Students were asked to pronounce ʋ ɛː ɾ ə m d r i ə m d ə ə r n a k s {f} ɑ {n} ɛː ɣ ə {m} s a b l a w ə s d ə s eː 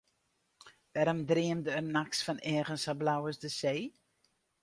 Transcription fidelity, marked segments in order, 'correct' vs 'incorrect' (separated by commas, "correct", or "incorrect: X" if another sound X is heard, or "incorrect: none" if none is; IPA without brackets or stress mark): correct, correct, incorrect: n